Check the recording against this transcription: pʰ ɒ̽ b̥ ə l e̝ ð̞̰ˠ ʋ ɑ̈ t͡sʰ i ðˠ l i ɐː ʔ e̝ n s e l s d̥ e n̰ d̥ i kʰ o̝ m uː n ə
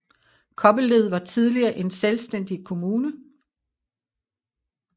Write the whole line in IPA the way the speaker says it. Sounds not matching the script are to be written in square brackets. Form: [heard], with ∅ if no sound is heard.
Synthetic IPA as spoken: [kʰ] ɒ̽ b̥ ə l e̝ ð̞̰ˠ ʋ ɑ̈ t͡sʰ i ðˠ l i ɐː ʔ e̝ n s e l s d̥ e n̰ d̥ i kʰ o̝ m uː n ə